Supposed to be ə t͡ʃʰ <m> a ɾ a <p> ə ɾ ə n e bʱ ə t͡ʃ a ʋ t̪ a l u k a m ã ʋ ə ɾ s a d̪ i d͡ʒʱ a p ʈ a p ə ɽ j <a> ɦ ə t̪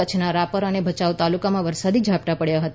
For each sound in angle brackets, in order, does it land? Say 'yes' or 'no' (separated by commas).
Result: no, yes, yes